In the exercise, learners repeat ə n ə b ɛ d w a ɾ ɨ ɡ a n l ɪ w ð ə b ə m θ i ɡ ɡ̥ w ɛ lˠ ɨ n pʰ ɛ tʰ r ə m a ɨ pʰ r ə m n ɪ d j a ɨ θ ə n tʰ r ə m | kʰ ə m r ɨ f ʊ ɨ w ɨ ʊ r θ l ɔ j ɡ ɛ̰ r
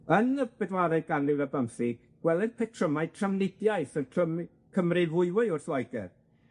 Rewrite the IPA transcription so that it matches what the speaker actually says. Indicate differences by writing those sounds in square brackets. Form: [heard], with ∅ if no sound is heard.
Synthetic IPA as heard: ə n ə b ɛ d w a ɾ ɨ ɡ a n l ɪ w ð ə b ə m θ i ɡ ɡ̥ w ɛ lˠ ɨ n pʰ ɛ tʰ r ə m a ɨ [tʰ] r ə m n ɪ d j a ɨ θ ə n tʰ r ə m | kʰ ə m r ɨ [v] ʊ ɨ w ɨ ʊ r θ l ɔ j ɡ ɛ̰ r